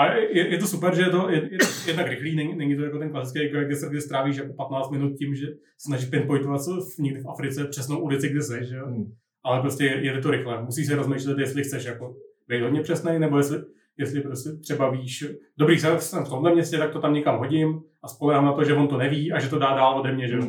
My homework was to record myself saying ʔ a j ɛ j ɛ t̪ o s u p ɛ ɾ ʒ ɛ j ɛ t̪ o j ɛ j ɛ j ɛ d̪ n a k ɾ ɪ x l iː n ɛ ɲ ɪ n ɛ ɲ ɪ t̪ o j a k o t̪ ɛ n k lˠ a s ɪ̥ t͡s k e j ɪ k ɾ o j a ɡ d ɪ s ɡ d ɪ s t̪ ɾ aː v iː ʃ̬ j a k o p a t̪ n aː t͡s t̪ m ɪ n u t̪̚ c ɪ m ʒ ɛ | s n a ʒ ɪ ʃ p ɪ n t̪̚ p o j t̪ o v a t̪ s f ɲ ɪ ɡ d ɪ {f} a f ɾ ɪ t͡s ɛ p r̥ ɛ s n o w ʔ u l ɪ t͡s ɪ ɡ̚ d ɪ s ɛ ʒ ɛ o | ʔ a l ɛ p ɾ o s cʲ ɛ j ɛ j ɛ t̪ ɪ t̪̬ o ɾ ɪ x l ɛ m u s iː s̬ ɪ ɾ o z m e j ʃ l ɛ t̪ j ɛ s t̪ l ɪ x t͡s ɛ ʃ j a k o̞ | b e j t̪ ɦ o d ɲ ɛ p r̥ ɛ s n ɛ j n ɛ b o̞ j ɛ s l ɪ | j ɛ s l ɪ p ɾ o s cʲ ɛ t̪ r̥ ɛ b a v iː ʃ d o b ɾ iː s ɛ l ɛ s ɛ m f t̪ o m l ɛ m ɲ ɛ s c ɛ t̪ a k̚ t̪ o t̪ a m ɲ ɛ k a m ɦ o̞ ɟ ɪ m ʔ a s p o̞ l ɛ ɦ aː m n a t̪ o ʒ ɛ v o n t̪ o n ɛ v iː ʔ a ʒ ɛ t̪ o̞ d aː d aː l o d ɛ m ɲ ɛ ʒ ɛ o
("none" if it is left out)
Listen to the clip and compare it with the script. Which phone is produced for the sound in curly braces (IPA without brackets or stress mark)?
f